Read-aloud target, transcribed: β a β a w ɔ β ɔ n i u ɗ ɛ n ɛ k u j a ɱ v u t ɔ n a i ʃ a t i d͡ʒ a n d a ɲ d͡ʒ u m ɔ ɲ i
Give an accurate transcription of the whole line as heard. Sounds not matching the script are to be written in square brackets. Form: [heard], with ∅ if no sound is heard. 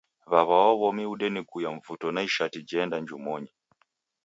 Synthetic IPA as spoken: β a β a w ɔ β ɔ [m] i u ɗ ɛ n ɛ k u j a ɱ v u t ɔ n a i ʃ a t i d͡ʒ [ɛ] n d a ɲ d͡ʒ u m ɔ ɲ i